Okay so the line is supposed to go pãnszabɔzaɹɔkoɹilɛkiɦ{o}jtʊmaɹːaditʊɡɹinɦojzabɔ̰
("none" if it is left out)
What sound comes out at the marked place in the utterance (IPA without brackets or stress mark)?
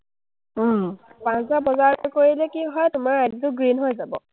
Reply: ɔ